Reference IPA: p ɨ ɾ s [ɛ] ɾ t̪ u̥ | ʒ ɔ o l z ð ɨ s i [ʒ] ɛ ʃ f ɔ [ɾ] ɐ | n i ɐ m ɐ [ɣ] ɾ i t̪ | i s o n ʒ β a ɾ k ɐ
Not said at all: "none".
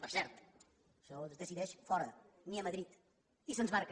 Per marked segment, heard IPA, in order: ɛ, ð, ɾ, ð

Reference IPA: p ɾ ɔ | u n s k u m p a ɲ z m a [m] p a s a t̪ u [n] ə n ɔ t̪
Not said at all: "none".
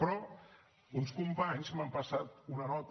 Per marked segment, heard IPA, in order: m, n

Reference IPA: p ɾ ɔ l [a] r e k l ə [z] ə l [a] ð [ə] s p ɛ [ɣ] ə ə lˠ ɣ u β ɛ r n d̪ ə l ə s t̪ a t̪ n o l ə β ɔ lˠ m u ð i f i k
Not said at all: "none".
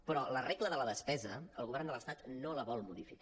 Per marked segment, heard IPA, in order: ə, ð, ə, ə, z

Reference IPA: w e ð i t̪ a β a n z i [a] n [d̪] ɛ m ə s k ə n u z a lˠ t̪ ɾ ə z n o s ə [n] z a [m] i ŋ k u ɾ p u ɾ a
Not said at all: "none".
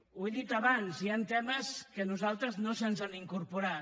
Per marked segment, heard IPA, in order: a, t̪, n, n

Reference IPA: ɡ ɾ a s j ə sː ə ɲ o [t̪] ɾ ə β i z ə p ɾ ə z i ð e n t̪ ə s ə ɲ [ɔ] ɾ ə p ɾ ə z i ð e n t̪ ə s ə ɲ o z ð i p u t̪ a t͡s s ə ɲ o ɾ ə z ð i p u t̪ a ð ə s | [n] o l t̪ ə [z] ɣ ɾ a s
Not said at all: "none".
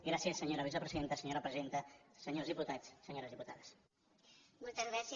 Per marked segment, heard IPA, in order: none, o, m, z

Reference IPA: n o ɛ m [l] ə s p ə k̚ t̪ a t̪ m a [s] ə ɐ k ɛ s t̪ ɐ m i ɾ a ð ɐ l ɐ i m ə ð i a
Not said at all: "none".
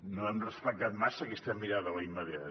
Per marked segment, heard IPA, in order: r, s

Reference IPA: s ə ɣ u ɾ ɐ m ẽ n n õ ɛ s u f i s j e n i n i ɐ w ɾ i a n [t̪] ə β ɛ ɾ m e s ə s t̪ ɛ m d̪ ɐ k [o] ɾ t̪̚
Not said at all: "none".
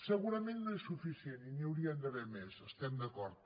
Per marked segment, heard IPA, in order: d̪, ɔ

